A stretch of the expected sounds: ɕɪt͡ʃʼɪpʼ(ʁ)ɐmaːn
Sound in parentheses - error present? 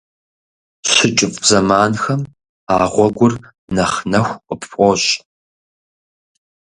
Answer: yes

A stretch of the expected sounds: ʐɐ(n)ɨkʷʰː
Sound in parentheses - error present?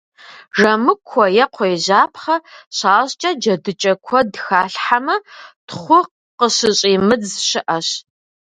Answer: yes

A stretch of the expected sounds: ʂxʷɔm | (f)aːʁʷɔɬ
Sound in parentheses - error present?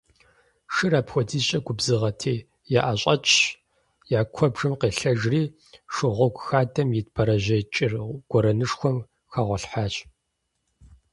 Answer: yes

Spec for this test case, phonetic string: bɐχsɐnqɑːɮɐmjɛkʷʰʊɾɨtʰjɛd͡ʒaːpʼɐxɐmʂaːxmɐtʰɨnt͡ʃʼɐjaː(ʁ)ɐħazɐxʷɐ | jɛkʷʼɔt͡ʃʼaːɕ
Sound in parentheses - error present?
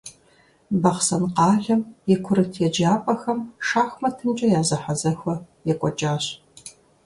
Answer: yes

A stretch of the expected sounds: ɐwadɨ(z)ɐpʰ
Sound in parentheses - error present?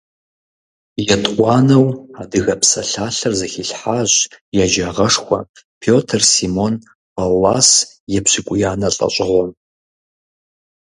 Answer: yes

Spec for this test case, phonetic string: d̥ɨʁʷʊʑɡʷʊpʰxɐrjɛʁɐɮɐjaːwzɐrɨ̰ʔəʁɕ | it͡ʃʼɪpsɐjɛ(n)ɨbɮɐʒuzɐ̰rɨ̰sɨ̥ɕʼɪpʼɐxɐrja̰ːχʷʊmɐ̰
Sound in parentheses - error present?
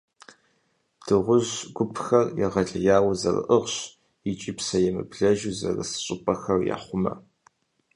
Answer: yes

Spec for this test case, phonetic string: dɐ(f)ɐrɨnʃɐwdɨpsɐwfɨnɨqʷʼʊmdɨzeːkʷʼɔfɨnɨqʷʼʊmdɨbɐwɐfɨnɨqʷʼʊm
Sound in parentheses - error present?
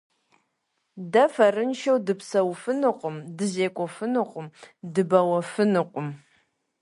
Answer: no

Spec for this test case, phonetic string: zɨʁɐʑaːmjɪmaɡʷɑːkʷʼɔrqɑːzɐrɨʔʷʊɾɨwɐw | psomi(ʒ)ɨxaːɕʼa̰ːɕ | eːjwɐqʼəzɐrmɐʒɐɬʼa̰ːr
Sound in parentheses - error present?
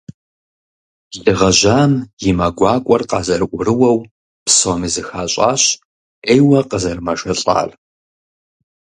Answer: yes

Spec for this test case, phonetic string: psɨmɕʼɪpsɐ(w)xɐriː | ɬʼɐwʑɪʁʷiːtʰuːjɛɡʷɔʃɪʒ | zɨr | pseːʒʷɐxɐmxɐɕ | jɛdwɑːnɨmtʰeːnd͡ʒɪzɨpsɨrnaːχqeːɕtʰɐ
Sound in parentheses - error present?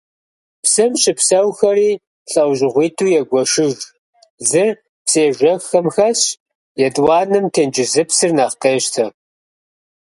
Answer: no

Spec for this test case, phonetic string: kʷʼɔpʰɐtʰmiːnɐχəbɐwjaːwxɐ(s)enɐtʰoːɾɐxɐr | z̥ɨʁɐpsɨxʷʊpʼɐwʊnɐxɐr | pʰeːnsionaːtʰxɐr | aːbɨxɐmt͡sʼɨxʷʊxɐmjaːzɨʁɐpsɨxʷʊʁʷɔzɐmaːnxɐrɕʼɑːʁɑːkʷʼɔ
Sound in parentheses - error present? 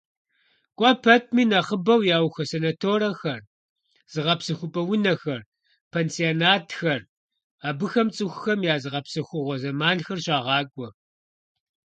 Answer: no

